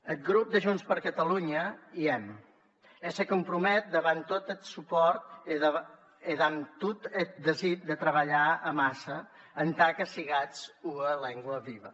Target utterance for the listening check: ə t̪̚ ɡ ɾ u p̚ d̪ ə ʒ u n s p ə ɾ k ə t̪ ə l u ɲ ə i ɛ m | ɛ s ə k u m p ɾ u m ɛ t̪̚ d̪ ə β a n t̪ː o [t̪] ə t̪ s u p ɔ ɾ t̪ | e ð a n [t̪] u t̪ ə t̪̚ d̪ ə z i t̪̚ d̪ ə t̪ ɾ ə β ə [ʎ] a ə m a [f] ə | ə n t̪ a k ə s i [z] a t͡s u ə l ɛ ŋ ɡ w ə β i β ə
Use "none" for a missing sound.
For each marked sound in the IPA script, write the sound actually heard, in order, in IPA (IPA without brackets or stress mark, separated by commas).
t̪, t̪, ʎ, s, ɣ